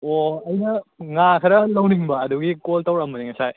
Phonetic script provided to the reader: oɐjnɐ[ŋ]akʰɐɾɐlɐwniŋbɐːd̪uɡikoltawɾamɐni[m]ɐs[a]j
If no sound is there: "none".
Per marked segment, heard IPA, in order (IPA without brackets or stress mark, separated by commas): ŋ, ŋ, a